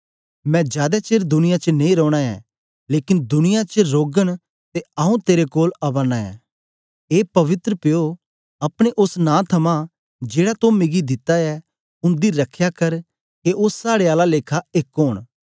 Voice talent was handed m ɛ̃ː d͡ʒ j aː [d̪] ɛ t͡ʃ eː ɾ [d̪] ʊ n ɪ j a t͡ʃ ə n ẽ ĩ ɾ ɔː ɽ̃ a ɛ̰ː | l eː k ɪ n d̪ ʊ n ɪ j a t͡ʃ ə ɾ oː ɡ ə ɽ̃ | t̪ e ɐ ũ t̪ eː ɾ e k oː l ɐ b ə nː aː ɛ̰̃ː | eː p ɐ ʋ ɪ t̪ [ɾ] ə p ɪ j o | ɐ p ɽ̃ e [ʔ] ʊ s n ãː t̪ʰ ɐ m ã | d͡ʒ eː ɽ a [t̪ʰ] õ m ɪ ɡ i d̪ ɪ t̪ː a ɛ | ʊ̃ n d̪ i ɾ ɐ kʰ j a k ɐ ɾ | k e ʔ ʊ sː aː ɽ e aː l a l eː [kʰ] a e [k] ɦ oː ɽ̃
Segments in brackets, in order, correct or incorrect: correct, correct, correct, correct, incorrect: t̪, correct, correct

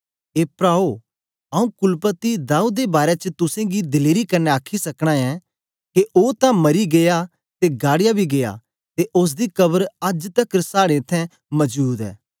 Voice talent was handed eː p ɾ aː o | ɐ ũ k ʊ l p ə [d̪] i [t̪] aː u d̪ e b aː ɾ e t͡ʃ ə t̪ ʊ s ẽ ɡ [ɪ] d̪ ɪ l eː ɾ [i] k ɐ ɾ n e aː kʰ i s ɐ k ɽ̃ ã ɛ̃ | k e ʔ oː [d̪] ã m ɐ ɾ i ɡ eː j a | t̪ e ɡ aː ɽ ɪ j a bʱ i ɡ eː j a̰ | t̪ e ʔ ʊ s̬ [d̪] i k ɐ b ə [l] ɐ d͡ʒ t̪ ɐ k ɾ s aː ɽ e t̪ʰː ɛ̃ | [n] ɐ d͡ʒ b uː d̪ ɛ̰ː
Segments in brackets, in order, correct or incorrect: incorrect: t̪, incorrect: d̪, incorrect: i, correct, incorrect: t̪, correct, incorrect: ɾ, incorrect: m

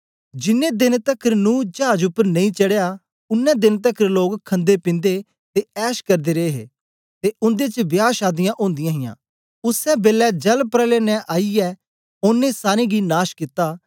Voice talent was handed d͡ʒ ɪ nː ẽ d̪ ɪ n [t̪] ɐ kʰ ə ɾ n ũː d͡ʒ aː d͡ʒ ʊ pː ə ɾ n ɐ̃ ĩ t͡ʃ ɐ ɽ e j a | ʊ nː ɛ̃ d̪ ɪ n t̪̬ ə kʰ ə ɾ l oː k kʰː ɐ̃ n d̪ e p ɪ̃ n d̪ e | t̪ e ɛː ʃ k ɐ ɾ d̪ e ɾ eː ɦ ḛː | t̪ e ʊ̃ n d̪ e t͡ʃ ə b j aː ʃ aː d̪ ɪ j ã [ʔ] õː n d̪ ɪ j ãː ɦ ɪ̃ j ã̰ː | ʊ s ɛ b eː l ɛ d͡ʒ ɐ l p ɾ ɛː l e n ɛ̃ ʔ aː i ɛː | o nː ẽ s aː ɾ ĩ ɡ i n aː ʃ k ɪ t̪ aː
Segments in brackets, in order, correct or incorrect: correct, correct

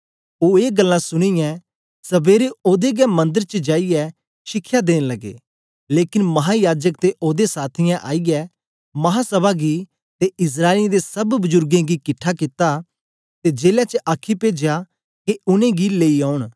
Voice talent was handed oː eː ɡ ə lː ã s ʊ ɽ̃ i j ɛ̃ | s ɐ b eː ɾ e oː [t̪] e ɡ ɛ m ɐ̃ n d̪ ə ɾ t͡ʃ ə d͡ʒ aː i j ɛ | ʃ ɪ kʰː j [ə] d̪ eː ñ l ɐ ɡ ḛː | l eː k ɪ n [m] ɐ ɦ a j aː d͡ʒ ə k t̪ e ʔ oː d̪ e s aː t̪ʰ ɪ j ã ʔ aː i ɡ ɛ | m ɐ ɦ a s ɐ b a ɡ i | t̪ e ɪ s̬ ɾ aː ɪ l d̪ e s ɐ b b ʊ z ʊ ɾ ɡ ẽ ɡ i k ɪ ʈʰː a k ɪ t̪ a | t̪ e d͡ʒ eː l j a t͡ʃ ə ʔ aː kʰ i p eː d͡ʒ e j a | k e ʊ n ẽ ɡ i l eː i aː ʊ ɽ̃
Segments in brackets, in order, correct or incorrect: incorrect: d̪, incorrect: a, correct

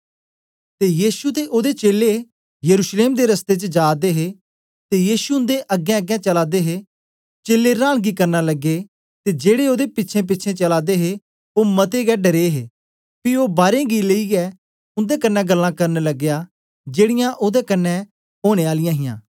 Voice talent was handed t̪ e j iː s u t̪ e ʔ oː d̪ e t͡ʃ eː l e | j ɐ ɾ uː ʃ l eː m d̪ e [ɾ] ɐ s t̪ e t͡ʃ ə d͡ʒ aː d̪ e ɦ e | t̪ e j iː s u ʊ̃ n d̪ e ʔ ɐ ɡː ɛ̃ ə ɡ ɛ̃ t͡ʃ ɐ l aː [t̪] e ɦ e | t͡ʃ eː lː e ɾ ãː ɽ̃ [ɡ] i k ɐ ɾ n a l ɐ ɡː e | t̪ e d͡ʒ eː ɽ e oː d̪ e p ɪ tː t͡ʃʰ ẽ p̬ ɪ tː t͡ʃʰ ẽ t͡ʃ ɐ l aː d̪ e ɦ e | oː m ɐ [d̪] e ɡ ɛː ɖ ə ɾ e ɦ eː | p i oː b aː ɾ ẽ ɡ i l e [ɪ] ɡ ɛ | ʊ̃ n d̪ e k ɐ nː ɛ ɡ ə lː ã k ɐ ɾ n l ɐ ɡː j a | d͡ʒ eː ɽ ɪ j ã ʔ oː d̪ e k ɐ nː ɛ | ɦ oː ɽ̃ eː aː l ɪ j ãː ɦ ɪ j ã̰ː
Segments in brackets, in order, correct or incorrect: correct, incorrect: d̪, correct, incorrect: t̪, incorrect: i

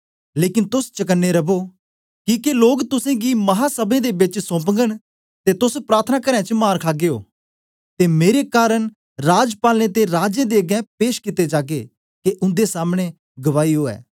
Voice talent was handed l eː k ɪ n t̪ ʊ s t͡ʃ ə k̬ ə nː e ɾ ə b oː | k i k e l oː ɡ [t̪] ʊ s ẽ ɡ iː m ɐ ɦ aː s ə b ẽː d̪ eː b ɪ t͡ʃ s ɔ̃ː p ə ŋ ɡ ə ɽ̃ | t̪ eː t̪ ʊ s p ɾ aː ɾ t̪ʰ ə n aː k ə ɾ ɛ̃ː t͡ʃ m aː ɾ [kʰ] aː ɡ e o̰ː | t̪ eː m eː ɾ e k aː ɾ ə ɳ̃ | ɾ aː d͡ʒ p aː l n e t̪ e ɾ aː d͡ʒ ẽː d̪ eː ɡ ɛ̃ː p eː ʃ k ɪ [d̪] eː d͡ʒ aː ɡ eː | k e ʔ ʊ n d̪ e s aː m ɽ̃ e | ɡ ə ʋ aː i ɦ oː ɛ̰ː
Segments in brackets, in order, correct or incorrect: correct, correct, incorrect: t̪

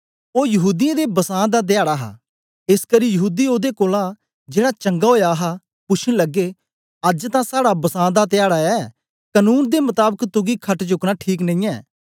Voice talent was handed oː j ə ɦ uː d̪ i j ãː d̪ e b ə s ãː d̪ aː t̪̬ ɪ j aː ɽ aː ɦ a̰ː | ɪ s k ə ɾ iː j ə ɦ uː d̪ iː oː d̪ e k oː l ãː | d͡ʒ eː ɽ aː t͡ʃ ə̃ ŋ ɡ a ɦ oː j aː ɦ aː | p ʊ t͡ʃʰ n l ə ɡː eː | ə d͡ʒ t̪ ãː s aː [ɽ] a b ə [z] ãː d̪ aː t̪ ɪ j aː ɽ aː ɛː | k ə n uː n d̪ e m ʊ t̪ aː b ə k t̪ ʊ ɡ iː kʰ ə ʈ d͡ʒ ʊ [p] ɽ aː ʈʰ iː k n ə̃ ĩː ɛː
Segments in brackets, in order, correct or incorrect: correct, incorrect: s, incorrect: k

